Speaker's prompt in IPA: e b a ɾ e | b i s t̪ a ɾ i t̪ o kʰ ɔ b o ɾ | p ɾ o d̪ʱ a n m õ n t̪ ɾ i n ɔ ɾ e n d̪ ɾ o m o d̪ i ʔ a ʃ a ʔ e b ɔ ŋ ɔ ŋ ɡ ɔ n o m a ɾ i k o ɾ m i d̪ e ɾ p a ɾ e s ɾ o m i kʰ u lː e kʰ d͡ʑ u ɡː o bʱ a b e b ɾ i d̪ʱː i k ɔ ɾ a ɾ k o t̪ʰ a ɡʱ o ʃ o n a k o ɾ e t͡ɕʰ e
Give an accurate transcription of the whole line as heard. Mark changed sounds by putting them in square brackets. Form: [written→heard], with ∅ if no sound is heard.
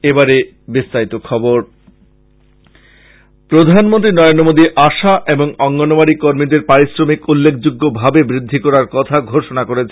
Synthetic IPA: e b a ɾ e | b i s t̪ a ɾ i t̪ o kʰ ɔ b o ɾ | p ɾ o d̪ʱ a n m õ n t̪ ɾ i n ɔ ɾ e n d̪ ɾ o m o d̪ i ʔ a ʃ a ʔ e b [ɔ→o] ŋ ɔ ŋ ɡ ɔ n o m a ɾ i k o ɾ m i d̪ e ɾ p a ɾ [e→i] s ɾ o m i [kʰ→k] u lː e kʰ d͡ʑ u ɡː o bʱ a b e b ɾ i d̪ʱː i k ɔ ɾ a ɾ k [o→ɔ] t̪ʰ a ɡʱ o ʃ o n a k o ɾ e t͡ɕʰ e

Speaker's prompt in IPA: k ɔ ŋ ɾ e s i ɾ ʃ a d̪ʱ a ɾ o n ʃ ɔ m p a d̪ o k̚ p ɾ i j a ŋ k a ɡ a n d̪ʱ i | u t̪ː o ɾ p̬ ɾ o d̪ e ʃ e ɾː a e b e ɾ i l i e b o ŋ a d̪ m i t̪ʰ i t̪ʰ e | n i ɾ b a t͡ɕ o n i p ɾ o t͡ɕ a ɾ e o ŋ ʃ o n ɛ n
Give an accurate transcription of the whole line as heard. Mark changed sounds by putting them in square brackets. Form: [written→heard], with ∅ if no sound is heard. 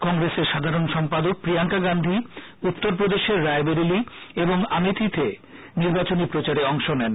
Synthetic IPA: k ɔ ŋ ɾ e s [i→e] ɾ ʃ a d̪ʱ a ɾ o n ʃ ɔ m p a d̪ o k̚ p ɾ i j a ŋ k a ɡ a n d̪ʱ i | u t̪ː o ɾ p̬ ɾ o d̪ e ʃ e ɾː a e b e ɾ i l i e b o ŋ a [d̪→∅] m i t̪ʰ i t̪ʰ e | n i ɾ b a t͡ɕ o n i p ɾ o t͡ɕ a ɾ e [o→ɔ] ŋ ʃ o n ɛ n

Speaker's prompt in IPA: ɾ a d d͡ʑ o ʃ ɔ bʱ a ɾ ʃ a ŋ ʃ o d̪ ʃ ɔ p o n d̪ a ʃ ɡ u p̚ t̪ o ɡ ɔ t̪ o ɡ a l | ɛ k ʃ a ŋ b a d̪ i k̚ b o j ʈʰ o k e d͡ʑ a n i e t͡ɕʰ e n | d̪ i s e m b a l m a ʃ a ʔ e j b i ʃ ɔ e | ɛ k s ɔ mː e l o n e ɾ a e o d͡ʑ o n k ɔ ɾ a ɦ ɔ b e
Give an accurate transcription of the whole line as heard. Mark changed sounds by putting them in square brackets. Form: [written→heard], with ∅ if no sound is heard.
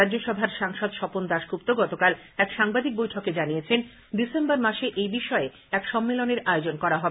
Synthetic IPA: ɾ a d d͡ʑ o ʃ ɔ bʱ a ɾ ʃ a ŋ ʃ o d̪ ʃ ɔ p o n d̪ a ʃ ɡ u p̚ t̪ o ɡ ɔ t̪ o [ɡ→k] a l | ɛ k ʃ a ŋ b a d̪ i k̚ b o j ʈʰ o k e d͡ʑ a n i e t͡ɕʰ e n | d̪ i s e m b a [l→ɾ] m a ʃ [a→e] ʔ e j b i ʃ ɔ e | ɛ k [s→ʃ] ɔ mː e l o n e ɾ a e o d͡ʑ o n k ɔ ɾ a ɦ ɔ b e

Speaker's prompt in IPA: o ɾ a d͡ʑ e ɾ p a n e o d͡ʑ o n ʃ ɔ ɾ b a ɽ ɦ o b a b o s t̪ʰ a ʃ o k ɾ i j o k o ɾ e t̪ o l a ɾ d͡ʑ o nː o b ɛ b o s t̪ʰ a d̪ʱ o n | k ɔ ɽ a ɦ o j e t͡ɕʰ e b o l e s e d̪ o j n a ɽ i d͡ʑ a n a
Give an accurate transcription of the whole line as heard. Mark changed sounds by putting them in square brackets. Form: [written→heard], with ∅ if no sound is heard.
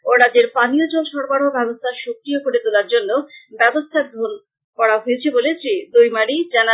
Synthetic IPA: o ɾ a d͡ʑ e ɾ p a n [e→i] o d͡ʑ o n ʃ ɔ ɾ b a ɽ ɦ o b [a→ɛ] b o s t̪ʰ a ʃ o k ɾ i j o k o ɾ e t̪ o l a ɾ d͡ʑ o nː o b ɛ b o s t̪ʰ a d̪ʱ o n | k ɔ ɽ a ɦ o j e t͡ɕʰ e b o l e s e d̪ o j [n→m] a ɽ i d͡ʑ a n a

